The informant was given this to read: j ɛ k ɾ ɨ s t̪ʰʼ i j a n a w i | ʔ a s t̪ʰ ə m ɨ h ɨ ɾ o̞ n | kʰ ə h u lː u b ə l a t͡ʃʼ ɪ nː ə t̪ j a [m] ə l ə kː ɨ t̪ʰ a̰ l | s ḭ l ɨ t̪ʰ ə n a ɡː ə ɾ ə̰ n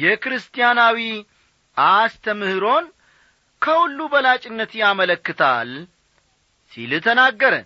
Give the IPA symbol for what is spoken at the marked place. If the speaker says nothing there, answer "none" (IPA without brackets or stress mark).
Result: m